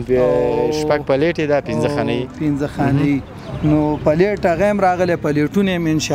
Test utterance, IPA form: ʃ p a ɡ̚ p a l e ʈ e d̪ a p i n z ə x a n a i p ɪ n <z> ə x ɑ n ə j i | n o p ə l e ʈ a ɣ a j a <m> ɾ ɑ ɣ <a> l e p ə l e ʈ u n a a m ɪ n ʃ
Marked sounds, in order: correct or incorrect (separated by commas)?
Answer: correct, correct, incorrect